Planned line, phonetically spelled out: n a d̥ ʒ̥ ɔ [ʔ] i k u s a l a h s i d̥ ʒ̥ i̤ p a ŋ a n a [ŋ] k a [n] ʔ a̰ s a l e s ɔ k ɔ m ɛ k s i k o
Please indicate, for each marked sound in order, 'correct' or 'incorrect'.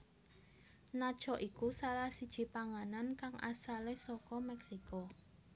correct, incorrect: n, incorrect: ŋ

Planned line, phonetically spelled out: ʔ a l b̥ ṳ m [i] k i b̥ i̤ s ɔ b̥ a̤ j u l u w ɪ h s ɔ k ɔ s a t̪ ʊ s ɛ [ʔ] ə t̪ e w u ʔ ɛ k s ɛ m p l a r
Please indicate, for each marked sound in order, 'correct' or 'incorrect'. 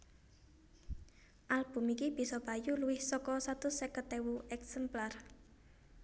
correct, incorrect: k

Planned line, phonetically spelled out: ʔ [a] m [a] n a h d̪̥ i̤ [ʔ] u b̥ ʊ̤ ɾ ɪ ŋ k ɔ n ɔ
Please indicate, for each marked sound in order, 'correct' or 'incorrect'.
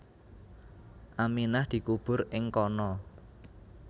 correct, incorrect: i, incorrect: k

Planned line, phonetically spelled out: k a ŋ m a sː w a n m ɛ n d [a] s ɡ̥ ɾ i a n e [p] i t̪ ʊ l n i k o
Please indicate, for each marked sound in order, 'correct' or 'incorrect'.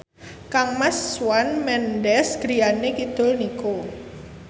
incorrect: ɛ, incorrect: k

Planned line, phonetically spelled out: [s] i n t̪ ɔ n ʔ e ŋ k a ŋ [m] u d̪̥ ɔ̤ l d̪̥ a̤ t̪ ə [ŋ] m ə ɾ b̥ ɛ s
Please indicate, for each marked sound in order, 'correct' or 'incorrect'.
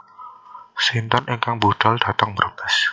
correct, incorrect: b, correct

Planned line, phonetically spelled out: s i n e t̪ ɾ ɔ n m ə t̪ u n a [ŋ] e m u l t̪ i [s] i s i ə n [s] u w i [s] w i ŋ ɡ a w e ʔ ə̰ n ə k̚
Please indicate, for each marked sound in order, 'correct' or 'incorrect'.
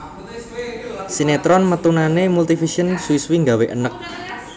incorrect: n, incorrect: f, correct, correct

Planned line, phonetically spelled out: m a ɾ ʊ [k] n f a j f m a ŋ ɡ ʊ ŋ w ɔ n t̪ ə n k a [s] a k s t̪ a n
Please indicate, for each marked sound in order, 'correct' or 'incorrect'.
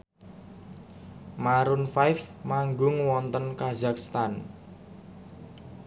incorrect: none, incorrect: z

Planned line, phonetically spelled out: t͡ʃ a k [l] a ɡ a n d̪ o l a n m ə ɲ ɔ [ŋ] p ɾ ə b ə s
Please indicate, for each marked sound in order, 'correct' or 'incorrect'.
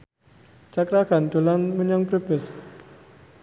incorrect: ɾ, correct

